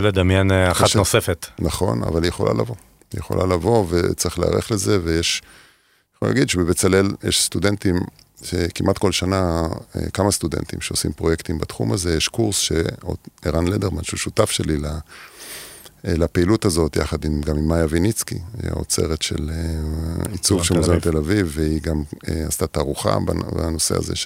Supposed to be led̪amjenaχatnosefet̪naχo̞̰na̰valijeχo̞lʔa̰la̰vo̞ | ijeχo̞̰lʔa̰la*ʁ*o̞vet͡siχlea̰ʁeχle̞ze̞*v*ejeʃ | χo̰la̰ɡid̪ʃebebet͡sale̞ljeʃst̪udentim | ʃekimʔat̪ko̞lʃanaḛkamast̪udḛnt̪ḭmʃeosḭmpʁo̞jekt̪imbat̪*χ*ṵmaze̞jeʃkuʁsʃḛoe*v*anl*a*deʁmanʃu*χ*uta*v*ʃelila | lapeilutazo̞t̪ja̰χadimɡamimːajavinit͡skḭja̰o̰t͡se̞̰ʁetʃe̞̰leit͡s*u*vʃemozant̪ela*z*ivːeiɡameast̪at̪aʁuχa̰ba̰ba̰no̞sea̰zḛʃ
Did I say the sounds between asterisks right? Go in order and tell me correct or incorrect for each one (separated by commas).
incorrect, correct, correct, incorrect, incorrect, incorrect, incorrect, correct, incorrect